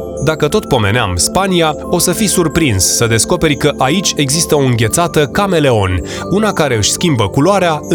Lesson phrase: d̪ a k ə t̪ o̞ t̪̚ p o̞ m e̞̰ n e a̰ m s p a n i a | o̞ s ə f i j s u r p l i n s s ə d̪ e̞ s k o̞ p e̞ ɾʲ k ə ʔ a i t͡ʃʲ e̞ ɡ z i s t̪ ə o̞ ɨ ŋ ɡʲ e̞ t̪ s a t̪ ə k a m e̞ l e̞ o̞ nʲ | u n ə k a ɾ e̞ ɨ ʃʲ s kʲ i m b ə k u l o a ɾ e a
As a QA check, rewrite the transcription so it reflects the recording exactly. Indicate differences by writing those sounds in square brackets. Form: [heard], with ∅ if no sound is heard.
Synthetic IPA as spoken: d̪ a k ə t̪ o̞ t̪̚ p o̞ m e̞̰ n e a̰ m s p a n i a | o̞ s ə f i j s u r p [ɾ] i n s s ə d̪ e̞ s k o̞ p e̞ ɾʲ k ə ʔ a i t͡ʃʲ e̞ ɡ z i s t̪ ə o̞ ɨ ŋ ɡʲ e̞ t̪ s a t̪ ə k a m e̞ l e̞ o̞ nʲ | u n [a] k a ɾ e̞ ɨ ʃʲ s kʲ i m b ə k u l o a ɾ e a